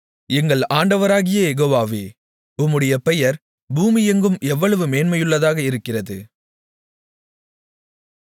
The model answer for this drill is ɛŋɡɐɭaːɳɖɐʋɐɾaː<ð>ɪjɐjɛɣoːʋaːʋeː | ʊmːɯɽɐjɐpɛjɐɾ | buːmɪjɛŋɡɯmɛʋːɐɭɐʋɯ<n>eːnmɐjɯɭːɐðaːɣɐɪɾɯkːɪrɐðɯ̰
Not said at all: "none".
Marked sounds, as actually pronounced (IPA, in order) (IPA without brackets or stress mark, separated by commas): ɣ, m